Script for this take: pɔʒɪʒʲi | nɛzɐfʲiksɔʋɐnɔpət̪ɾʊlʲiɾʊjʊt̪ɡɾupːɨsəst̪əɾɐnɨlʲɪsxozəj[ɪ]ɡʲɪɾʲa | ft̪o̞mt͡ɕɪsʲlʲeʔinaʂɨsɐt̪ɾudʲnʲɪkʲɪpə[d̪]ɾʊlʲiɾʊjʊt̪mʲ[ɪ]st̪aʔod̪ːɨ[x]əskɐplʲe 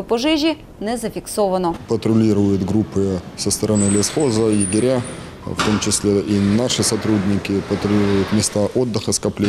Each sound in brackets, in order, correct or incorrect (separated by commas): correct, incorrect, correct, correct